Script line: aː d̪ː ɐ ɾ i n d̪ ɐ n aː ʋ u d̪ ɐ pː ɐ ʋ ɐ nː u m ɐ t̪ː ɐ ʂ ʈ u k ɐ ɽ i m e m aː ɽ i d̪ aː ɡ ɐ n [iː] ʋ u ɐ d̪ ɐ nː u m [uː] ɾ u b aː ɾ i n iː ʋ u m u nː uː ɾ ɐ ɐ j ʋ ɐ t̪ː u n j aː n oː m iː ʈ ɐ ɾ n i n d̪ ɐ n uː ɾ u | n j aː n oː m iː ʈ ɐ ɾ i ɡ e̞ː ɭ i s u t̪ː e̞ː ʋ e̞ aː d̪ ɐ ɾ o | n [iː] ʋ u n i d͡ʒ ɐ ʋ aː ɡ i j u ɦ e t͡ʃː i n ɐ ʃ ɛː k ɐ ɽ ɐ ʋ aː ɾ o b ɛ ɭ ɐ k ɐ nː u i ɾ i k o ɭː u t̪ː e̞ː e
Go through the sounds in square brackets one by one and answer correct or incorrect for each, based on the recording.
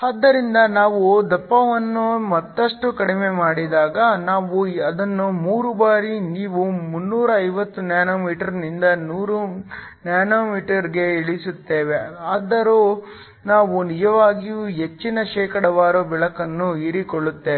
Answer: incorrect: aː, correct, incorrect: aː

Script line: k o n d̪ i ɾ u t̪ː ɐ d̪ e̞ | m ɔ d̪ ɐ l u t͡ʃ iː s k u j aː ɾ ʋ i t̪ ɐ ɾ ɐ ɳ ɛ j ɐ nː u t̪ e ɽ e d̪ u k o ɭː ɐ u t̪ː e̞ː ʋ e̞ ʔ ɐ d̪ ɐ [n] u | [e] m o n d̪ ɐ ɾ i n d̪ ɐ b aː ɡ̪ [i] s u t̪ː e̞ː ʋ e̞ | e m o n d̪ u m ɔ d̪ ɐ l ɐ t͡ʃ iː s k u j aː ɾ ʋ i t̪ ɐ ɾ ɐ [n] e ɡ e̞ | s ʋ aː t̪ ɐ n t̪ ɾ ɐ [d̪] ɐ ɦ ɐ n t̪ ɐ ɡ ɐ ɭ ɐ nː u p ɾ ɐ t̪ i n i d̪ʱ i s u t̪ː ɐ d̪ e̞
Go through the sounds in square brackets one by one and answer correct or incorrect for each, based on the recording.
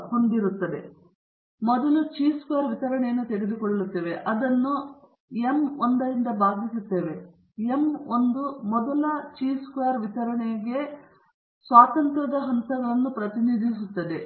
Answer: incorrect: nː, correct, correct, incorrect: ɳ, correct

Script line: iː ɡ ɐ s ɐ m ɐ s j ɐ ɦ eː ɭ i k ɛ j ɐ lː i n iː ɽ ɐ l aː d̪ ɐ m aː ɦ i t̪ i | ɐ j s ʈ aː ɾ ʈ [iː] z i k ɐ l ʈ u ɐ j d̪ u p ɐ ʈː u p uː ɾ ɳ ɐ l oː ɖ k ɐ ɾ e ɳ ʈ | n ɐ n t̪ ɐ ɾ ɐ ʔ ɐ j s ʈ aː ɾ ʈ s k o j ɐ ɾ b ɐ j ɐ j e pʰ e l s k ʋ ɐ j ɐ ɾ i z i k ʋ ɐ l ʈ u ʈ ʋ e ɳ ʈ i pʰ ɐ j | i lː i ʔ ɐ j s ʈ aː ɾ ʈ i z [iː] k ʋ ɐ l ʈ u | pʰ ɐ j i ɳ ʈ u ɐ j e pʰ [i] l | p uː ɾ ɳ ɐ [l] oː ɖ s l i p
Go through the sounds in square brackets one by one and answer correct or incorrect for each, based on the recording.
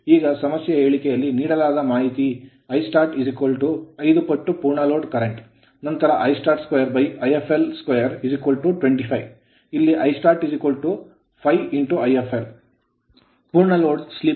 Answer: incorrect: i, incorrect: i, incorrect: e, correct

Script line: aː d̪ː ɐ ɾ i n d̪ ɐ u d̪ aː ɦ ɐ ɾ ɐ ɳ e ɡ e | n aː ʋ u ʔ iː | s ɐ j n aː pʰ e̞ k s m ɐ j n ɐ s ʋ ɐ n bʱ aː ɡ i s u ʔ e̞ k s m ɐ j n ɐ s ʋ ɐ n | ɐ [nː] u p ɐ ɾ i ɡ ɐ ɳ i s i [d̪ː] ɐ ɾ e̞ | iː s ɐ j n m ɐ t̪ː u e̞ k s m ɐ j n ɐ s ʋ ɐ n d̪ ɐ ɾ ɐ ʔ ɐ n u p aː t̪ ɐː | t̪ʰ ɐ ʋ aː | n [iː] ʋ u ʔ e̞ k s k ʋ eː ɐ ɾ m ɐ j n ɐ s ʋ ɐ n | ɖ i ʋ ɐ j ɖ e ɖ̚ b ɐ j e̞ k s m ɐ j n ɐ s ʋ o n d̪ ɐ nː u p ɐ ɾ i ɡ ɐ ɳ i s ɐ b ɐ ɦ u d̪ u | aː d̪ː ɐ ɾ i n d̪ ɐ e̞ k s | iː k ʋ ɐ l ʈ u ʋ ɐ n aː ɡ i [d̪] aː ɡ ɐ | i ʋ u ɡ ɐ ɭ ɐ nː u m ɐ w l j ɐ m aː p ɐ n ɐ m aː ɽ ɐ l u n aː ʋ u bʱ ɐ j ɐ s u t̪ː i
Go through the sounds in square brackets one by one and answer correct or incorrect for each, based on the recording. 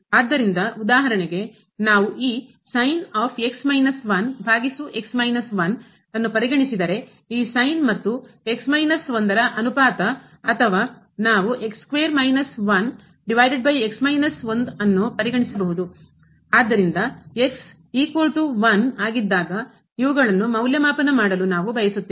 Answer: correct, incorrect: d̪, incorrect: aː, incorrect: d̪ː

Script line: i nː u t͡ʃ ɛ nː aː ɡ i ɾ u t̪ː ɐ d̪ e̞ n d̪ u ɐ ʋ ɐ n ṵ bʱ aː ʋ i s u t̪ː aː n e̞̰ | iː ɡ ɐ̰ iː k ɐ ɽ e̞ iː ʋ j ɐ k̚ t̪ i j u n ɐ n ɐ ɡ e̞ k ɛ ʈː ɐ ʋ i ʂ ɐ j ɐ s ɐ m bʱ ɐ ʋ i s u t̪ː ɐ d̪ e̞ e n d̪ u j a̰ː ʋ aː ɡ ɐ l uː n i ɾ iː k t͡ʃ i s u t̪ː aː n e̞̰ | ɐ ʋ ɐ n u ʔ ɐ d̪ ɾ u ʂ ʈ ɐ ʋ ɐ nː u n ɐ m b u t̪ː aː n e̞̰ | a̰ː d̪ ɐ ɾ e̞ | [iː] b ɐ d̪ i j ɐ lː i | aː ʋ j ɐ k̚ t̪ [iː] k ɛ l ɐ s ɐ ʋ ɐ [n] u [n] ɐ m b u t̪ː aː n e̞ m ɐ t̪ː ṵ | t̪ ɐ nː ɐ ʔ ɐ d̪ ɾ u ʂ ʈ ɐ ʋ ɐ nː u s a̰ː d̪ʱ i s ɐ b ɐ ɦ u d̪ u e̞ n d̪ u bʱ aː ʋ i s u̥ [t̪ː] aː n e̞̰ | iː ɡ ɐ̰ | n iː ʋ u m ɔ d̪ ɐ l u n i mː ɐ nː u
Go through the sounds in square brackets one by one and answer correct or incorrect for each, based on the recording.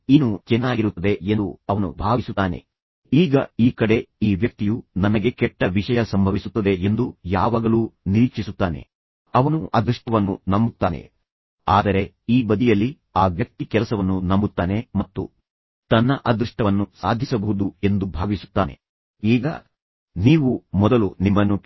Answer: correct, incorrect: i, incorrect: nː, correct, correct

